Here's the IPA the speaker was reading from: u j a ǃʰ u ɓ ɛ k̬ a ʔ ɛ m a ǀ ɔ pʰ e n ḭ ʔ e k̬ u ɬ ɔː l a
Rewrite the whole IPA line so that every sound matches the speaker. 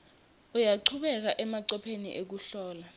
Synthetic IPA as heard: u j a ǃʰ u ɓ ɛ k̬ a ʔ ɛ m a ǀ ɔ pʰ e n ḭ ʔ e k̬ u ɬ ɔː l a